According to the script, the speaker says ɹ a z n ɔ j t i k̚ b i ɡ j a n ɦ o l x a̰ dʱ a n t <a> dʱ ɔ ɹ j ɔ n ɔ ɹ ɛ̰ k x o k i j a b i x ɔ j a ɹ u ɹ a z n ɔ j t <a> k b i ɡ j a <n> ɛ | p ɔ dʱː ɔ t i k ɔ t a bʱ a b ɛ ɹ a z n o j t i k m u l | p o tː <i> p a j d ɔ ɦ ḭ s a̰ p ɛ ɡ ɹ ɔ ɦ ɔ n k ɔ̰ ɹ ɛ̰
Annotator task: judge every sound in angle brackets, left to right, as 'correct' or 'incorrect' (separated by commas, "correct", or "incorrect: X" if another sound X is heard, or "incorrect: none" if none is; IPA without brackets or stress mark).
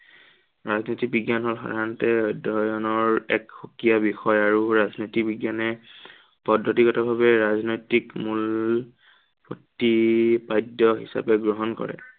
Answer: incorrect: ɛ, incorrect: i, correct, correct